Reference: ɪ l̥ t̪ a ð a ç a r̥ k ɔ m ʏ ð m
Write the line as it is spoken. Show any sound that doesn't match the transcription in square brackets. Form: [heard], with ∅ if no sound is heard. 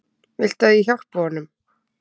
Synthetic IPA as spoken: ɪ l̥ t̪ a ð [i] ç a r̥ [p] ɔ [n] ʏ [∅] m